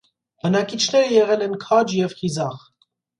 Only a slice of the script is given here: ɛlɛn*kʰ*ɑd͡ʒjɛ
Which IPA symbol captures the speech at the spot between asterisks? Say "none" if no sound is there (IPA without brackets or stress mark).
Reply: kʰ